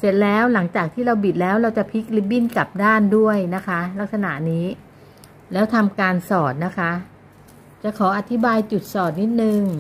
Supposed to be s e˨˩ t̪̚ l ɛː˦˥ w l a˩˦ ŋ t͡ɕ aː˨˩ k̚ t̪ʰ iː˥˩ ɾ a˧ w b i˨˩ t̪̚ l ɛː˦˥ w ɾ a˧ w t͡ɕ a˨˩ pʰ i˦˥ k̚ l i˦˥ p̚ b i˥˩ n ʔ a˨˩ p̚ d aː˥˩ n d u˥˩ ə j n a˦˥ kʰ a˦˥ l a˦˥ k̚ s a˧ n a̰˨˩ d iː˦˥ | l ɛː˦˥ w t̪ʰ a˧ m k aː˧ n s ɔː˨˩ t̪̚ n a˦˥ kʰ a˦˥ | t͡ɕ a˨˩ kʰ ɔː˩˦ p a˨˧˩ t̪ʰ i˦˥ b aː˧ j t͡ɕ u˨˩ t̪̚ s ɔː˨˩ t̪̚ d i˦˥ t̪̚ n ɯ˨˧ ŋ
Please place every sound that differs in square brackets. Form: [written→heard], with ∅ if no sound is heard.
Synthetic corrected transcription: s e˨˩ t̪̚ l ɛː˦˥ w l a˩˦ ŋ t͡ɕ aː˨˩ k̚ t̪ʰ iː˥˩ ɾ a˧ w b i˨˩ t̪̚ l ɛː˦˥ w ɾ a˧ w t͡ɕ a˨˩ pʰ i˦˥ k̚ l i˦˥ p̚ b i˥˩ n [ʔ→k] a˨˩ p̚ d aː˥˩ n d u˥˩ ə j n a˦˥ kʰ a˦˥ l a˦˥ k̚ s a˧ n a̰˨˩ [d→n] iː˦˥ | l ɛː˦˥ w t̪ʰ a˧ m k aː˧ n s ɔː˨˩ t̪̚ n a˦˥ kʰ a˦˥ | t͡ɕ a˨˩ kʰ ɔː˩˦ [p→ʔ] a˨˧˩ t̪ʰ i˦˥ b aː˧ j t͡ɕ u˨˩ t̪̚ s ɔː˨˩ t̪̚ [d→n] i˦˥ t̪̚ n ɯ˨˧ ŋ